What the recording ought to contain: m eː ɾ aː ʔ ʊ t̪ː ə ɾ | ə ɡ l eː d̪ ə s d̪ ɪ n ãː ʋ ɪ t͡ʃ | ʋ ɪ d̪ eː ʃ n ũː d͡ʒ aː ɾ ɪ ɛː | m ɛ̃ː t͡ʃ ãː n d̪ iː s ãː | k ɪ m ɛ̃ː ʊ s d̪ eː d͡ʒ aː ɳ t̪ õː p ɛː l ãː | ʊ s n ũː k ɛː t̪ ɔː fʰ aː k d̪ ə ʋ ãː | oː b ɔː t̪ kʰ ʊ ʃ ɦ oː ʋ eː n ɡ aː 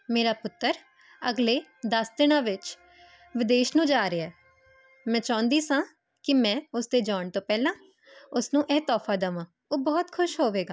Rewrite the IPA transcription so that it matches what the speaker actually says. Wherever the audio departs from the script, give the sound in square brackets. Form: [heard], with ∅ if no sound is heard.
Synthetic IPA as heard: m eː ɾ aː [p] ʊ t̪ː ə ɾ | ə ɡ l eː d̪ ə s d̪ ɪ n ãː ʋ ɪ t͡ʃ | ʋ ɪ d̪ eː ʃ n ũː d͡ʒ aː ɾ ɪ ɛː | m ɛ̃ː t͡ʃ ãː n d̪ iː s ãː | k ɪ m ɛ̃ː ʊ s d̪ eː d͡ʒ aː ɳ t̪ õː p ɛː l ãː | ʊ s n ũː [ʔ] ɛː t̪ ɔː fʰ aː [∅] d̪ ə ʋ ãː | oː b ɔː t̪ kʰ ʊ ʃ ɦ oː ʋ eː [∅] ɡ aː